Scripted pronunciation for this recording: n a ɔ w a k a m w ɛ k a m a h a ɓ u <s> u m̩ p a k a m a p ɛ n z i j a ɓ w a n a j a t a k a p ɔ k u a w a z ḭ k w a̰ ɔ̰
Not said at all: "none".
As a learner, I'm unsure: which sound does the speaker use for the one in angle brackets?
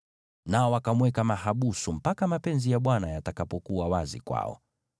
s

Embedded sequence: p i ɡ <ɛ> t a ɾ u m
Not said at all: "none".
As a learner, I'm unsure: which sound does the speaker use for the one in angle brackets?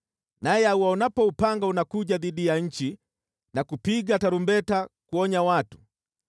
a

